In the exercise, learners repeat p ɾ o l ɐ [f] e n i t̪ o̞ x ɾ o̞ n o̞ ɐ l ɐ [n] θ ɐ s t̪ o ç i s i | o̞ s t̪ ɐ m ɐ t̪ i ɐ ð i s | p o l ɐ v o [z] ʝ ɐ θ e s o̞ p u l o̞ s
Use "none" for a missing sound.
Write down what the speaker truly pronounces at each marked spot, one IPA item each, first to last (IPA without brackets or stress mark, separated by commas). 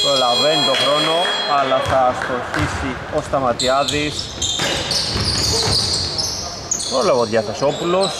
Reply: v, none, ð